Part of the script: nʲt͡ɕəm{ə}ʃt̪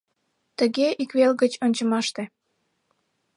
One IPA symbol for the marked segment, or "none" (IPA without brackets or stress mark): ɑ